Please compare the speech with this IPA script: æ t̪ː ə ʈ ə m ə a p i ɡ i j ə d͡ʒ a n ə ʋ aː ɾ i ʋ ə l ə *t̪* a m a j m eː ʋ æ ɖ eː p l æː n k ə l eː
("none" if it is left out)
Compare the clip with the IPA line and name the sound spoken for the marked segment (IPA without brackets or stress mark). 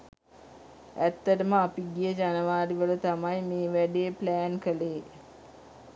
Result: t̪